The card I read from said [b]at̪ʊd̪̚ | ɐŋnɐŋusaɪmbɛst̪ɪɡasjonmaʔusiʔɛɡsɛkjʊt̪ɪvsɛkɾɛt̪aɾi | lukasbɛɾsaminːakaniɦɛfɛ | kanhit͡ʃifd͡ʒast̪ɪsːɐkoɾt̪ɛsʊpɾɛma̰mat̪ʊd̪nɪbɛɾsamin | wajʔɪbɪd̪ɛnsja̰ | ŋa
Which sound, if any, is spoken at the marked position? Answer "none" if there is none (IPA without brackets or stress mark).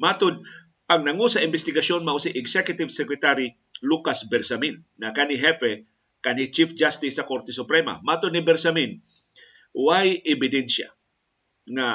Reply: m